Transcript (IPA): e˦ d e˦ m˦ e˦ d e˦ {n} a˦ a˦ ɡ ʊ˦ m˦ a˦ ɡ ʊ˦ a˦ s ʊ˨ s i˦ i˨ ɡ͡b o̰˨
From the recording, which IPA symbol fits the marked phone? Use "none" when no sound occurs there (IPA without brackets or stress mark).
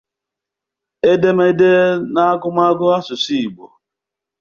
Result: n